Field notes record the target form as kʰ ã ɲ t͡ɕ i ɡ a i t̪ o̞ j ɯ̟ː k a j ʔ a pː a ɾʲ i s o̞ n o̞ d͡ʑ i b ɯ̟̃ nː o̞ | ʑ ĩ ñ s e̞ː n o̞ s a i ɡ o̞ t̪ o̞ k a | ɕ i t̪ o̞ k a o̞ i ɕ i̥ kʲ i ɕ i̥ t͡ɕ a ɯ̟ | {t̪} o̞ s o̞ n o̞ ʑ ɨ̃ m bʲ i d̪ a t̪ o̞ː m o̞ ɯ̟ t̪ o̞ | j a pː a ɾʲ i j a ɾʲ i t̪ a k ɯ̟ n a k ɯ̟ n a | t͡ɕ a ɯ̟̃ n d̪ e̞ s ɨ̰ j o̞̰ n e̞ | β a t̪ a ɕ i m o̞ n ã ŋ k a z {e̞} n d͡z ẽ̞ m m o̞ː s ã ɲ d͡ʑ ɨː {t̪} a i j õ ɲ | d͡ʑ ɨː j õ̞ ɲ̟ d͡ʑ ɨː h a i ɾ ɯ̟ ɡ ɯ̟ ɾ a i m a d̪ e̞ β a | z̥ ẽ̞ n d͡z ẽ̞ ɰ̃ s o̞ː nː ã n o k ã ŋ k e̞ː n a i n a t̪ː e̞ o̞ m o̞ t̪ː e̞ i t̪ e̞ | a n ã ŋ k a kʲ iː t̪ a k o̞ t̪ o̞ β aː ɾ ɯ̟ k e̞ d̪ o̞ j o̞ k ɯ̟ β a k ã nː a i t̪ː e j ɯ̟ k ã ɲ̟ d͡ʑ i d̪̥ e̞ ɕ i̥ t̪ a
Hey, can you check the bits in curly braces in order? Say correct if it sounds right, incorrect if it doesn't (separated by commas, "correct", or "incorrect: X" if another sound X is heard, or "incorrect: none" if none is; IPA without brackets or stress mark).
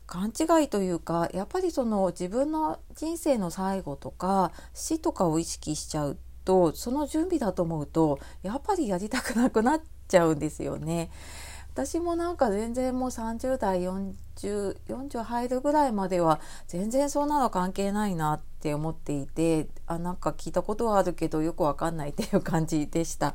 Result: correct, incorrect: ẽ̞, incorrect: d̪